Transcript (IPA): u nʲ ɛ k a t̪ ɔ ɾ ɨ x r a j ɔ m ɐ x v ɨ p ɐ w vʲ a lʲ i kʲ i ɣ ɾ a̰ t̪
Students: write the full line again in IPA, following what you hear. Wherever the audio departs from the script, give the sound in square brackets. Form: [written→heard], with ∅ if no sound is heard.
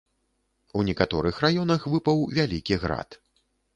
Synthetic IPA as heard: u nʲ ɛ k a t̪ ɔ ɾ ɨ x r a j ɔ [m→n] ɐ x v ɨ p ɐ w vʲ a lʲ i kʲ i ɣ ɾ a̰ t̪